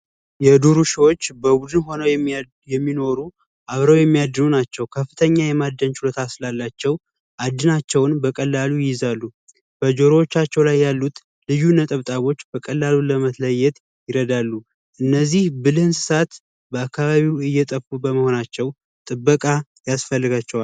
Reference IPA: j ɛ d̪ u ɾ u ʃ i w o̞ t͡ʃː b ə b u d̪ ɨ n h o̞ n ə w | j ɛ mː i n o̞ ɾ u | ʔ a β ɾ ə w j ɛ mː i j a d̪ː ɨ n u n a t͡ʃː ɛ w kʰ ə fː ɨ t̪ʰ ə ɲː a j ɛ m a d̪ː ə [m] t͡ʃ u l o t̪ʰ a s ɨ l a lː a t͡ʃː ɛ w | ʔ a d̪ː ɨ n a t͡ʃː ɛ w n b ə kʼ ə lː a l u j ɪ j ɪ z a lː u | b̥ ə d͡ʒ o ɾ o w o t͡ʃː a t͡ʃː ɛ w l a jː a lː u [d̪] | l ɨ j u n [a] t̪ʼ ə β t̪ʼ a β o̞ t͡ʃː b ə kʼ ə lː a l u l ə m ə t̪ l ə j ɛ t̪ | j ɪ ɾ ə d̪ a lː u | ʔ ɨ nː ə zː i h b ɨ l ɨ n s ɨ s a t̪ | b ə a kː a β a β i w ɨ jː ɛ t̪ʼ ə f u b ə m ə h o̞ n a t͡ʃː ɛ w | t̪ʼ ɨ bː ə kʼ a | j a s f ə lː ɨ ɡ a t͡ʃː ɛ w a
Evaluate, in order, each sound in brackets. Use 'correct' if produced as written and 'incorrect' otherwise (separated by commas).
incorrect, incorrect, incorrect